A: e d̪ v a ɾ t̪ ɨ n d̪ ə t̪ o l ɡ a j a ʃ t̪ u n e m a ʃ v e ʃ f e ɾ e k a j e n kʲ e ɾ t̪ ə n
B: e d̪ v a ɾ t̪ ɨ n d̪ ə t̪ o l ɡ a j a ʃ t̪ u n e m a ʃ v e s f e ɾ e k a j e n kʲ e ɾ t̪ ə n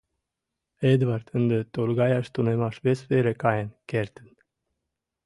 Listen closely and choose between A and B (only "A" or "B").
B